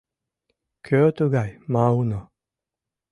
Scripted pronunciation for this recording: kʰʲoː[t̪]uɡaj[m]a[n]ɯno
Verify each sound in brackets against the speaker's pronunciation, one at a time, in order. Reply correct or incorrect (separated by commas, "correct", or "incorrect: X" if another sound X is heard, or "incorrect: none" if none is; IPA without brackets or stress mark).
correct, correct, incorrect: none